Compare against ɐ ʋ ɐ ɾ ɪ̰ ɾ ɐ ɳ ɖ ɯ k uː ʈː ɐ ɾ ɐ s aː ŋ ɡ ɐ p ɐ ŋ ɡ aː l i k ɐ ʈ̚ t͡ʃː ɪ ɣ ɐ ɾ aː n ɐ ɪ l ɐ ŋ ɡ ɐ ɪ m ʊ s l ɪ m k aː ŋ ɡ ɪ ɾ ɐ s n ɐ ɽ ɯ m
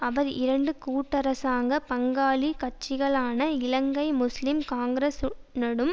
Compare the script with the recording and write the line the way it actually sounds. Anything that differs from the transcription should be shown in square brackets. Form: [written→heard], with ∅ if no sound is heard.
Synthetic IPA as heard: ɐ ʋ ɐ ɾ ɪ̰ ɾ ɐ ɳ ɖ ɯ k uː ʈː ɐ ɾ ɐ s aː ŋ ɡ ɐ p ɐ ŋ ɡ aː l i k ɐ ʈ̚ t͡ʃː ɪ ɣ ɐ [ɾ→ɭ] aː n ɐ ɪ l ɐ ŋ ɡ ɐ ɪ m ʊ s l ɪ m k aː ŋ ɡ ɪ ɾ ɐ s n ɐ ɽ ɯ m